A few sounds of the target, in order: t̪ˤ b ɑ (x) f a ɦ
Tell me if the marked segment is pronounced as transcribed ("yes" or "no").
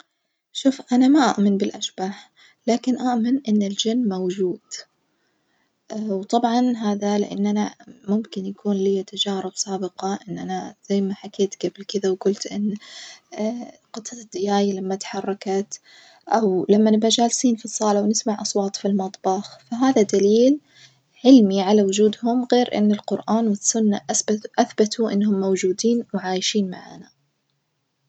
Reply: yes